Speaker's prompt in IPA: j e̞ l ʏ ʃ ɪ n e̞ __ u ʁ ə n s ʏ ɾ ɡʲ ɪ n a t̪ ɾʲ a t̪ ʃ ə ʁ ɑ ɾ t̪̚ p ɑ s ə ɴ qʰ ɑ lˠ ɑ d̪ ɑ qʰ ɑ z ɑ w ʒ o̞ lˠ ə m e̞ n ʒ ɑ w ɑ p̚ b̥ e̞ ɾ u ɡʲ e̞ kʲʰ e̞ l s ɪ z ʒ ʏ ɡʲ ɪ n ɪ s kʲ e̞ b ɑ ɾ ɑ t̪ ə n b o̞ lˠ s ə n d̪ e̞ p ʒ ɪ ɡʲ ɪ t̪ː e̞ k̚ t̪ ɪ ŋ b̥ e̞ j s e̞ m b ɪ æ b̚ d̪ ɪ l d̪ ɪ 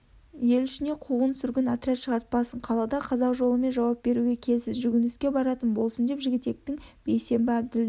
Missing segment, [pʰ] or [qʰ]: qʰ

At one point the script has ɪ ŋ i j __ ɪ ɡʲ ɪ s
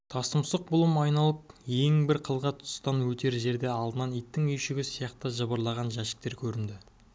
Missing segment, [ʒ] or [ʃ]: ʃ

